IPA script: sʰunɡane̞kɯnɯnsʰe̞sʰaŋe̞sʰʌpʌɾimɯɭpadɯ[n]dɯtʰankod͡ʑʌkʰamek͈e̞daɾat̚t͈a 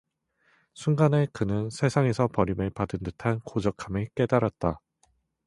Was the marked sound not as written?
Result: no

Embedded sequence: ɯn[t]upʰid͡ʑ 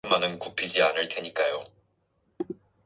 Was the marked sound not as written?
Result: yes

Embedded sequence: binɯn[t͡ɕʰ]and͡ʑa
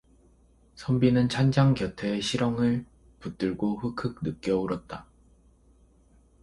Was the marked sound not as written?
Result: no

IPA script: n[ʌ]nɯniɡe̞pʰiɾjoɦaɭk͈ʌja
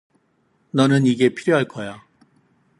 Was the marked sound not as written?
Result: no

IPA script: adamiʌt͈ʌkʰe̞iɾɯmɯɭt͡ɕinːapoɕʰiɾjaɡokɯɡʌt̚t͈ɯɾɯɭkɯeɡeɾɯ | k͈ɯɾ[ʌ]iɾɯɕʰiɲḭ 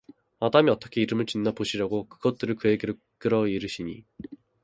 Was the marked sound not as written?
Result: no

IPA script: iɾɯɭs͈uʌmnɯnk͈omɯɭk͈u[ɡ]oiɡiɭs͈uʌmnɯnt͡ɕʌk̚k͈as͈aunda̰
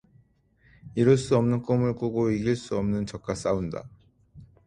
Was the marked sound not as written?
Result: no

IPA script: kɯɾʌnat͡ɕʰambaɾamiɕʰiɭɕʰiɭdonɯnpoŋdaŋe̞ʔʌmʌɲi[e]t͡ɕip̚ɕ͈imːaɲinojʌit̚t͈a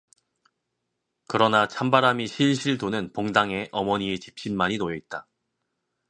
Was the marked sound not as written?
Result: no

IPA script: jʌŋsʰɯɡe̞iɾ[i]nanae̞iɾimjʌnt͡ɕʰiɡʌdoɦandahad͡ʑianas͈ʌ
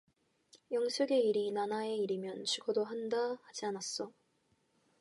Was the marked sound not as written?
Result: no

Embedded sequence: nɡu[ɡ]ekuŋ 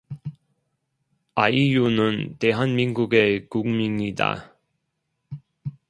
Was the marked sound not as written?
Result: no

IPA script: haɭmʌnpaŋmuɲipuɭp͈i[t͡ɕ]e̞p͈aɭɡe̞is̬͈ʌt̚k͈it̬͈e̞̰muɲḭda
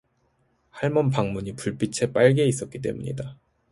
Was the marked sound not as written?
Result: yes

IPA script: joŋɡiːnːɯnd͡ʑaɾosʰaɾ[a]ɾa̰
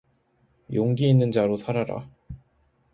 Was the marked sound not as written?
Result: no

